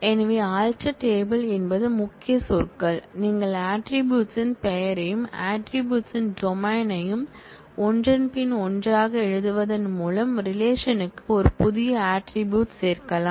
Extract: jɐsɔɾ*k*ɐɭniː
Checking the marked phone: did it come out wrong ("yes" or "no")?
no